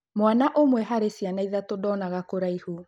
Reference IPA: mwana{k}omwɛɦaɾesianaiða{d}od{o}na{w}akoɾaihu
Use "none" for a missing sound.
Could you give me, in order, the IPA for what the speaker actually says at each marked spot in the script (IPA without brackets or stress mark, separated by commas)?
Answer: ʔ, t, ɔ, ɣ